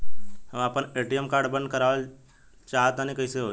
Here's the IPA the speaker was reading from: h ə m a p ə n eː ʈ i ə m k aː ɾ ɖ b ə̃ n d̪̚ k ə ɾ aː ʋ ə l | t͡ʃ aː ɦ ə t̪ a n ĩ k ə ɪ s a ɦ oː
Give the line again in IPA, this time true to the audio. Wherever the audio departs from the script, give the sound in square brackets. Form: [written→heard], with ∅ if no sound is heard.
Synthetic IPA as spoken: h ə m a p ə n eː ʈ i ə m k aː ɾ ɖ b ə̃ n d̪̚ k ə ɾ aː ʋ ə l | t͡ʃ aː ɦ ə t̪ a n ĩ k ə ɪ s [a→e] ɦ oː